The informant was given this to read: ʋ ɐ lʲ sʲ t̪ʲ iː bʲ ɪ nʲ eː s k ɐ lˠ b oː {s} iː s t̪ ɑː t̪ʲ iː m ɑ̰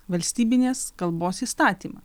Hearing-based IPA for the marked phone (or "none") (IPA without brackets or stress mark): s